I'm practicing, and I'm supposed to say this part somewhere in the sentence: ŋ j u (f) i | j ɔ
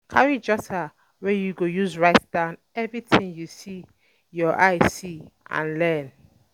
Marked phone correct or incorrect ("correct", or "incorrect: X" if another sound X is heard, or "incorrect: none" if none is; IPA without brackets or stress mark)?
incorrect: s